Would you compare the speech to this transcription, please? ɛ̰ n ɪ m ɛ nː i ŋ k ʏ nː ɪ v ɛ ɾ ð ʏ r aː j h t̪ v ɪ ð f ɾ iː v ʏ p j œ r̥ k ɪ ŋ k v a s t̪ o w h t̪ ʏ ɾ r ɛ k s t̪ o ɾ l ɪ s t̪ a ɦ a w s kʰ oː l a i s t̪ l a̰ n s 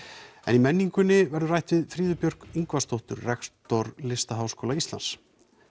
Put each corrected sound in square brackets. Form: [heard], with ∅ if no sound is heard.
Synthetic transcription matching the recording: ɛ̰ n [i] m ɛ nː i ŋ k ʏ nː ɪ v ɛ ɾ ð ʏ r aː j h t̪ v ɪ ð f ɾ iː [ð] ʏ p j œ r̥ k [i] ŋ k v a s t̪ o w h t̪ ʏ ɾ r ɛ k s t̪ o ɾ l ɪ s t̪ a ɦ a w s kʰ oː l a i s t̪ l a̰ n s